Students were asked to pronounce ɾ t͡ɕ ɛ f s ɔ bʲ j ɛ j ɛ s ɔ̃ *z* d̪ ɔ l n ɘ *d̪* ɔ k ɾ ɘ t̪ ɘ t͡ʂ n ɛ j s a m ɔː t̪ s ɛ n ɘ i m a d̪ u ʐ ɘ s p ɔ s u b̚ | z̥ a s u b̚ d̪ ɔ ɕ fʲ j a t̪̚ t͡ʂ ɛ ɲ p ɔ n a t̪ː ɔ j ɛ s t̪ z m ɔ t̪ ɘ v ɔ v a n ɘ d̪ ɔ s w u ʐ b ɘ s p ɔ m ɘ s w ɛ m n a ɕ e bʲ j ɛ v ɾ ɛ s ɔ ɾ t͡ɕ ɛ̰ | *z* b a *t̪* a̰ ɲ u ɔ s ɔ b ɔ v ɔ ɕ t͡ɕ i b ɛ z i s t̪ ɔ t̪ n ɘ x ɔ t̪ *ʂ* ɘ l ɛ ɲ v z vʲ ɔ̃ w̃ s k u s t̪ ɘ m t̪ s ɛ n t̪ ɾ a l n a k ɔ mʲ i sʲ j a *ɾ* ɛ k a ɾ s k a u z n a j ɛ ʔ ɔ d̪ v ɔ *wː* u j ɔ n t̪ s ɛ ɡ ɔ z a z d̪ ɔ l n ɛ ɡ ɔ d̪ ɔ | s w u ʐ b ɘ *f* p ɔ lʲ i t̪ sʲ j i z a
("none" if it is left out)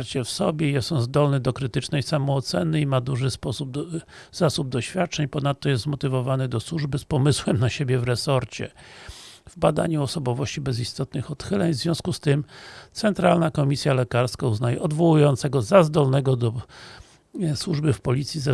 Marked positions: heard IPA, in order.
z, d̪, v, d̪, x, l, w, f

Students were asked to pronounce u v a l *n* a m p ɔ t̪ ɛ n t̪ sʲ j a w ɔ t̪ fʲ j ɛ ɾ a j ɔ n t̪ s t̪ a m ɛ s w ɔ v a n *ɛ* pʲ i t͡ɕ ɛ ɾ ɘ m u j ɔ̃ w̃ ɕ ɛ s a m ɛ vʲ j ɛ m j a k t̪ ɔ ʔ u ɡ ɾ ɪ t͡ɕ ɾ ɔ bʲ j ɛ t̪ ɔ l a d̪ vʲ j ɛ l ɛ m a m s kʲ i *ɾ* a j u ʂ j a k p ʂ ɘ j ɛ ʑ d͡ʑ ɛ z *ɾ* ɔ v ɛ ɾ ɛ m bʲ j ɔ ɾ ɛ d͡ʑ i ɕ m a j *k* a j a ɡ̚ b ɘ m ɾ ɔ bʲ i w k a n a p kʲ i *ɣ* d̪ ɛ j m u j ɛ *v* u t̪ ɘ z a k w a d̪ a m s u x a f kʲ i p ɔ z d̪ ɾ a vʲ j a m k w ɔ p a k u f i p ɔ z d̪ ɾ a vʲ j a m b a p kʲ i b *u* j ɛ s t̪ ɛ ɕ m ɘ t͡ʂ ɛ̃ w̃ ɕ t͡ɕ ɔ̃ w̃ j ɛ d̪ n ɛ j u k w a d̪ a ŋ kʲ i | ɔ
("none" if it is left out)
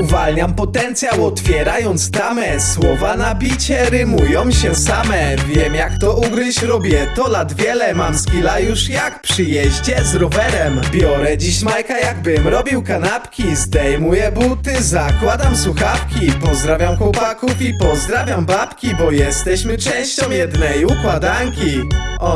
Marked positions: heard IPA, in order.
ɲ, a, l, ɾ, k, z, b, ɔ

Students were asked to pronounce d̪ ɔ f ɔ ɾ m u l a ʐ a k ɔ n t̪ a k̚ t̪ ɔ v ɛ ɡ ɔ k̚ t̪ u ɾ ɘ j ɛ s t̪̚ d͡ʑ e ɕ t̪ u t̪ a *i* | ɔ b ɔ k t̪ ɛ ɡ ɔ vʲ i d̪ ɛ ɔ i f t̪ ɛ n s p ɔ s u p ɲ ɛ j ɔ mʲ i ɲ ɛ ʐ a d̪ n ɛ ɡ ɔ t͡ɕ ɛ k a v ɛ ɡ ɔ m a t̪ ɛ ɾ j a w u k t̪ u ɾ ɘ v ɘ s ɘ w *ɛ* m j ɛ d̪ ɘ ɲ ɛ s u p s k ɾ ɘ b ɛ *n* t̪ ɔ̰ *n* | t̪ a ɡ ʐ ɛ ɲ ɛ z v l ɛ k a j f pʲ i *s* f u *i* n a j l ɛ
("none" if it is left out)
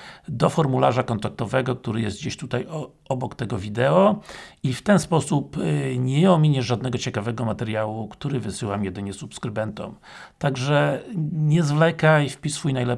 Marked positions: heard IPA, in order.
j, a, n, m, s, j

